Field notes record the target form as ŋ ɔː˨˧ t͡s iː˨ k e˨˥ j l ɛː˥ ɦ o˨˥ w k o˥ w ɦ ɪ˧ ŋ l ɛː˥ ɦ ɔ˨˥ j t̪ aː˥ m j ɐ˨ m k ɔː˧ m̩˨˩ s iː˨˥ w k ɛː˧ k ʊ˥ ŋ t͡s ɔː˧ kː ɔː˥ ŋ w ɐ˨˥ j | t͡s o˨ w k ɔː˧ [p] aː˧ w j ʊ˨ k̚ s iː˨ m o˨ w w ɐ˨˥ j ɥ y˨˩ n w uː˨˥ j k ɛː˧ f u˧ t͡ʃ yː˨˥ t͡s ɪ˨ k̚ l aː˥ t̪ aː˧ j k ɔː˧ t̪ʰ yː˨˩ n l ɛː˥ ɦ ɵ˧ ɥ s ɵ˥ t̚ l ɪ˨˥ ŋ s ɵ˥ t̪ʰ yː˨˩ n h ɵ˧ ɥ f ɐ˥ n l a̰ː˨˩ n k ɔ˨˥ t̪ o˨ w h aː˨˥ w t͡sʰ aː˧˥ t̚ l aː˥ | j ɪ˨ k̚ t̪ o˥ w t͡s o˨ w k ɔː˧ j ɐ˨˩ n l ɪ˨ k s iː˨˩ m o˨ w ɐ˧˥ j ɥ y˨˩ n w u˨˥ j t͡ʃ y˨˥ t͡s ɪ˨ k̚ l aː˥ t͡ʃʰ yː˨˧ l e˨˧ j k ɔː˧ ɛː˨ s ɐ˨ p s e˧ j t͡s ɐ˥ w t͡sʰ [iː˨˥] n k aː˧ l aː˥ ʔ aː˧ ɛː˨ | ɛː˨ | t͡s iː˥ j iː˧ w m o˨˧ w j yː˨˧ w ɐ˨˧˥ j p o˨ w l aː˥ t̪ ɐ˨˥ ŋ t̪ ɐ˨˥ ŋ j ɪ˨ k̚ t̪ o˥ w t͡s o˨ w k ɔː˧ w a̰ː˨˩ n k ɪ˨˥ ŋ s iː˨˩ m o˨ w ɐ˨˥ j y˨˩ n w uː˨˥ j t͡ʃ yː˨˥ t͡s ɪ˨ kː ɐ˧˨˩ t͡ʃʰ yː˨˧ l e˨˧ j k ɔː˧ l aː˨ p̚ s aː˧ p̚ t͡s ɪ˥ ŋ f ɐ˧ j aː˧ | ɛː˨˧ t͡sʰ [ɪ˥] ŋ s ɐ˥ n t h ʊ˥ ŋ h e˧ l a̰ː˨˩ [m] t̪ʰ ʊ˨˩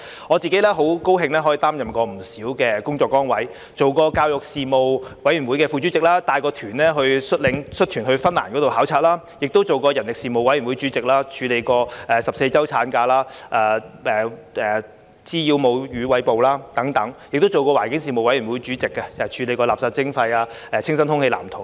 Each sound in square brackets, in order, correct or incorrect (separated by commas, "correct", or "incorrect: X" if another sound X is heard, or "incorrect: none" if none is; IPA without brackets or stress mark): incorrect: k, incorrect: aː˨˥, correct, correct